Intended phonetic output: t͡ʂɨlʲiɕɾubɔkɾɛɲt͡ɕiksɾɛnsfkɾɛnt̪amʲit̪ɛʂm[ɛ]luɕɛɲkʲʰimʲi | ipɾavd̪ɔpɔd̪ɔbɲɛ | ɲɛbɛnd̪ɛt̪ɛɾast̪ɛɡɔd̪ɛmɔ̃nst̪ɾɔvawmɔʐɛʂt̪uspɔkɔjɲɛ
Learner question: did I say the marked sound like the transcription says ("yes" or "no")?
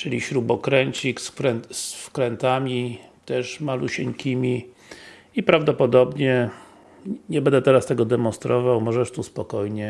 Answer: no